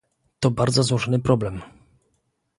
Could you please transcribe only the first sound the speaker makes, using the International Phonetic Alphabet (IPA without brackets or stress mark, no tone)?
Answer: t̪